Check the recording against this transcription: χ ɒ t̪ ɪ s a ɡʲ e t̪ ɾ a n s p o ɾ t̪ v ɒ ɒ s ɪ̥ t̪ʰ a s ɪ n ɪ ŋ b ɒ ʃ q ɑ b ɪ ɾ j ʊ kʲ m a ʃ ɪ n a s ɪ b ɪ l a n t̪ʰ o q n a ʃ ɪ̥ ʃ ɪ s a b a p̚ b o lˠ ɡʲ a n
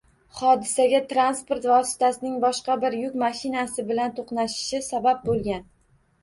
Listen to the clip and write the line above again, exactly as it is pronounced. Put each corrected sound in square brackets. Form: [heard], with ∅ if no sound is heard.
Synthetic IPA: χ ɒ [d̪] ɪ s a ɡʲ [a] t̪ ɾ a n s p o ɾ t̪ v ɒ ɒ s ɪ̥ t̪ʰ a s ɪ n ɪ ŋ b ɒ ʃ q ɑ b ɪ ɾ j ʊ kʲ m a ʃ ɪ n a s ɪ b ɪ l a n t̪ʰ o q n a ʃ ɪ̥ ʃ ɪ s a b a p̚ b o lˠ ɡʲ a n

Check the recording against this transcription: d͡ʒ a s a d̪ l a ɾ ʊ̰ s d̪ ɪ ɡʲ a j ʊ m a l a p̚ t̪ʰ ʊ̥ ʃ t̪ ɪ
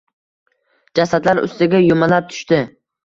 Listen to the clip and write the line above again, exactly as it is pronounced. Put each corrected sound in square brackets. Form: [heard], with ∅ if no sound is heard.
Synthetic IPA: d͡ʒ a s a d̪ l a ɾ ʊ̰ s [t̪] ɪ ɡʲ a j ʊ m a l a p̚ t̪ʰ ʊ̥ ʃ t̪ ɪ

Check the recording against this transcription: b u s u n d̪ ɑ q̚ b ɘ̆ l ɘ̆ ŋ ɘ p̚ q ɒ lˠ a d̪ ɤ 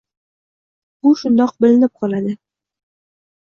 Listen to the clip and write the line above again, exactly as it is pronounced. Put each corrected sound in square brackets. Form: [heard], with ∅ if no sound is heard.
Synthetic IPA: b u [ʃ] u n d̪ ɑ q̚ b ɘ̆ l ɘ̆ [n] ɘ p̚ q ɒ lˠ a d̪ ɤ

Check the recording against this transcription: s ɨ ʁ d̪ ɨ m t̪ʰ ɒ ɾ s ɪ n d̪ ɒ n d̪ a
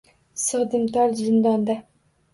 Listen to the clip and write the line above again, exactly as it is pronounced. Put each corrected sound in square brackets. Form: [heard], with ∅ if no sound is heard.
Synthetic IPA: s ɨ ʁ d̪ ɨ m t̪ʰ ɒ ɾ [z] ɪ n d̪ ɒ n d̪ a

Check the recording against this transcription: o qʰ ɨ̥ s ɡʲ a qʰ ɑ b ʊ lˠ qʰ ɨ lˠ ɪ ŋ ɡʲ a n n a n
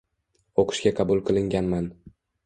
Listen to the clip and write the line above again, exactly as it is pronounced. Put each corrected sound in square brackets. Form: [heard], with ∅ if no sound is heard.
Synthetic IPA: o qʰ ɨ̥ [ʃ] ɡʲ a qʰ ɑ b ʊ lˠ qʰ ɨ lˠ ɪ ŋ ɡʲ a n [m] a n

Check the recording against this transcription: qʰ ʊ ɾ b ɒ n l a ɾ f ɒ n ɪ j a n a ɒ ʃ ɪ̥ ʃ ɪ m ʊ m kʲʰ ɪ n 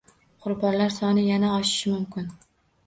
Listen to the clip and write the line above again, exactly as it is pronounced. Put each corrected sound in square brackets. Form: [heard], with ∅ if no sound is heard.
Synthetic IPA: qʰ ʊ ɾ b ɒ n l a ɾ [s] ɒ n ɪ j a n a ɒ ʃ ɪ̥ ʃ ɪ m ʊ m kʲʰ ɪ n

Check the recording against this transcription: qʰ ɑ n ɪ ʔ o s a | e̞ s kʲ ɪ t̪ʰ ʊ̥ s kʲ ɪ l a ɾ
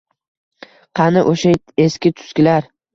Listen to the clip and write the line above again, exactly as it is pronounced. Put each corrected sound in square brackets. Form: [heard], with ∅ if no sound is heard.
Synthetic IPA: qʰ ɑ n ɪ ʔ o [ʃ] a | e̞ s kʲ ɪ t̪ʰ ʊ̥ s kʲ ɪ l a ɾ

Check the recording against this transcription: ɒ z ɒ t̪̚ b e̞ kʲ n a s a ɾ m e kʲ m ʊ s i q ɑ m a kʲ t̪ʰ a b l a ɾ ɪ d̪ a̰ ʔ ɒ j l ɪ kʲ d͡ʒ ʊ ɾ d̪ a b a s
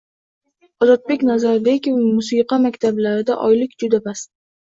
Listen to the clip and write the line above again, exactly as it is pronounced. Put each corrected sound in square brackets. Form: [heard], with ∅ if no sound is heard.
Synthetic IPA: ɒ z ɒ t̪̚ b e̞ kʲ n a [z] a ɾ [b] e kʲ m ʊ s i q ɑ m a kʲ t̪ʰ a b l a ɾ ɪ d̪ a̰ ʔ ɒ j l ɪ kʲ d͡ʒ ʊ [∅] d̪ a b a s

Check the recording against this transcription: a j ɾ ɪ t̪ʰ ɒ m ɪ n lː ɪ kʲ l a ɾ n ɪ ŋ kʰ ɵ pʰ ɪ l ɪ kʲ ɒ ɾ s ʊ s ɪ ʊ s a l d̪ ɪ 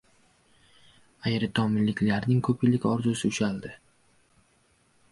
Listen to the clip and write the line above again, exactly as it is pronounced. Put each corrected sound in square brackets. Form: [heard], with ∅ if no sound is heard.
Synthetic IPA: a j ɾ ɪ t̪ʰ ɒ m ɪ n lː ɪ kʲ l a ɾ n ɪ ŋ kʰ ɵ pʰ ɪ l ɪ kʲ ɒ ɾ [z] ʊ s ɪ ʊ [ʃ] a l d̪ ɪ

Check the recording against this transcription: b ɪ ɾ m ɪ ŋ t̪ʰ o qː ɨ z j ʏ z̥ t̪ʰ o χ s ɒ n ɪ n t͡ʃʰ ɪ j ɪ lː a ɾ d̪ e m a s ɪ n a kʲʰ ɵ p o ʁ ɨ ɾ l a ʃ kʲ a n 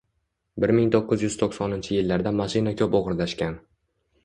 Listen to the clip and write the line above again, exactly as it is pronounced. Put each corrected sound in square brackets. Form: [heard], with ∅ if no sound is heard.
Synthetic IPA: b ɪ ɾ m ɪ ŋ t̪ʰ o qː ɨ z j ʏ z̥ t̪ʰ o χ s ɒ n ɪ n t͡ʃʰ ɪ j ɪ lː a ɾ d̪ [a] m a [ʃ] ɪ n a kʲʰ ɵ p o ʁ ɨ ɾ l a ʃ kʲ a n

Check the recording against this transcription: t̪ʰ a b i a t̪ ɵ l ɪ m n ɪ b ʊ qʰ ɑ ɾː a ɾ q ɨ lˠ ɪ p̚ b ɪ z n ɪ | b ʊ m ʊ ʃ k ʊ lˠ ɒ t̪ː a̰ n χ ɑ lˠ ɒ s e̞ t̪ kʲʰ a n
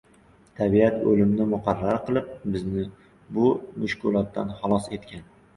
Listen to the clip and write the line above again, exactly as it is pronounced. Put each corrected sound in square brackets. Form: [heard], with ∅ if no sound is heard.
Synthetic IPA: t̪ʰ a b i a t̪ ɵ l ɪ m n ɪ [m] ʊ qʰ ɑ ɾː a ɾ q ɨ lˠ ɪ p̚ b ɪ z n ɪ | b ʊ m ʊ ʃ k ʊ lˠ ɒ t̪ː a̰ n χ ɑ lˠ ɒ s e̞ t̪ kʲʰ a n

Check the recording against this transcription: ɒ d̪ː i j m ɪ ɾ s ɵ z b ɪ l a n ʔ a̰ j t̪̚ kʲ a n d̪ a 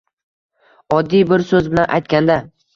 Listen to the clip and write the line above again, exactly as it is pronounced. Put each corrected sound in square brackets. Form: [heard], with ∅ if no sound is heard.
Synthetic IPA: ɒ d̪ː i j [b] ɪ ɾ s ɵ z b ɪ l a n ʔ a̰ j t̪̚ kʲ a n d̪ a

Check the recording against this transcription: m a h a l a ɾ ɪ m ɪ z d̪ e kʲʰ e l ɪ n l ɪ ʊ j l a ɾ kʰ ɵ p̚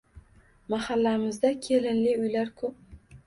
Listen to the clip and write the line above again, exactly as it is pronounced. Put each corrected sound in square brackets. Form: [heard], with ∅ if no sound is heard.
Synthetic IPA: m a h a [lː] a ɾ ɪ m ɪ z d̪ [a] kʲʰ e l ɪ n l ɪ ʊ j l a ɾ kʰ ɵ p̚

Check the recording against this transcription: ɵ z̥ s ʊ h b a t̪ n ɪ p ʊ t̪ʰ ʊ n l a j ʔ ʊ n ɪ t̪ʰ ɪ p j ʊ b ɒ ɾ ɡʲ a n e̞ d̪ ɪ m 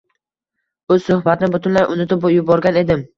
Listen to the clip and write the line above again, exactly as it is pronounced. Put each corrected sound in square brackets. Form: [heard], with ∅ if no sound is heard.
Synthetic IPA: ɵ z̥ s ʊ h b a t̪ n ɪ [b] ʊ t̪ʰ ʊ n l a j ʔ ʊ n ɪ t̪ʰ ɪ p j ʊ b ɒ ɾ ɡʲ a n e̞ d̪ ɪ m

